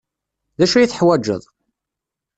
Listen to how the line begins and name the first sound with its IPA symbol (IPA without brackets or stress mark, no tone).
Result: ð